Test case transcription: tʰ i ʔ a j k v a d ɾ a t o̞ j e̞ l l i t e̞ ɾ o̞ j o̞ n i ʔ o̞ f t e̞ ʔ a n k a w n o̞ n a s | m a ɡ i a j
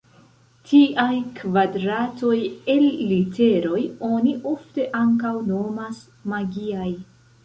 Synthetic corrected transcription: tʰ i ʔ a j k v a d ɾ a t o̞ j e̞ l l i t e̞ ɾ o̞ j o̞ n i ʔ o̞ f t e̞ ʔ a ŋ k a w n o̞ m a s | m a ɡ i a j

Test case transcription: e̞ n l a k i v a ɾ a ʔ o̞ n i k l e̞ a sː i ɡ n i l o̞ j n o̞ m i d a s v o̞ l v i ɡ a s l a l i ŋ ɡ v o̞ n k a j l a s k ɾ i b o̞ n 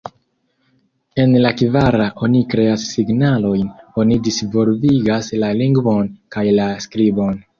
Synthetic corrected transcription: e̞ n l a k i v a ɾ a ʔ o̞ n i k ɾ e̞ a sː i ɡ n a l o̞ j n o̞ n i d i s v o̞ l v i ɡ a s l a l i ŋ ɡ v o̞ n k a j l a s k ɾ i b o̞ n

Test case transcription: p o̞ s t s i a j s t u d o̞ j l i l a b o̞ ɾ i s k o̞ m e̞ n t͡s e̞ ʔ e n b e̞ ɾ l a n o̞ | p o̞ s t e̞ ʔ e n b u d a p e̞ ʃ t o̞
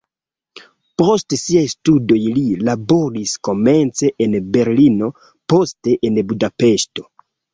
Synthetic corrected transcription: p o̞ s t s i a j s t u d o̞ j l i l a b o̞ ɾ i s k o̞ m e̞ n t͡s e̞ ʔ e n b e̞ ɾ l i n o̞ | p o̞ s t e̞ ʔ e n b u d a p e̞ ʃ t o̞

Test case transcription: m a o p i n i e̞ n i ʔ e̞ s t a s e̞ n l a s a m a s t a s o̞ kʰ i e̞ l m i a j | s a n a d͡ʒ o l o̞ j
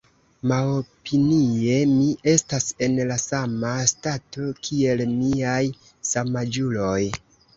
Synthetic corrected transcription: m a o p i n i e̞ m i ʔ e̞ s t a s e̞ n l a s a m a s t a t o̞ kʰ i e̞ l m i a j | s a m a d͡ʒ u l o̞ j

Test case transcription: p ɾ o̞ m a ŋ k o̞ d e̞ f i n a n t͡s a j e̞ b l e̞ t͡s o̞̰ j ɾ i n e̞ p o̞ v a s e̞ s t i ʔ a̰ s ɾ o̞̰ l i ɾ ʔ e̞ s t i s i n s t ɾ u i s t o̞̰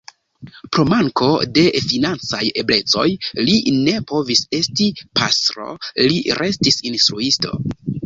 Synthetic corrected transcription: p ɾ o̞ m a ŋ k o̞ d e̞ f i n a n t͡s a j e̞ b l e̞ t͡s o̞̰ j l i n e̞ p o̞ v i s e̞ s t i p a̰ s ɾ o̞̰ l i ɾ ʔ e̞ s t i s i n s t ɾ u i s t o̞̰

